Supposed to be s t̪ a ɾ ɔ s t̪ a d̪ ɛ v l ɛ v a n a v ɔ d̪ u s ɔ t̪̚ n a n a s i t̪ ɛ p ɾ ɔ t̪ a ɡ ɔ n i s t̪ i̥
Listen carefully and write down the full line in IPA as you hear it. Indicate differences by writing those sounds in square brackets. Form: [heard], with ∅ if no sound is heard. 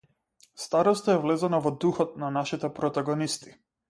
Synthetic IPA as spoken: s t̪ a ɾ ɔ s t̪ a [∅] ɛ v l ɛ [z] a n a v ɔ d̪ u [x] ɔ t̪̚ n a n a [ʃ] i t̪ ɛ p ɾ ɔ t̪ a ɡ ɔ n i s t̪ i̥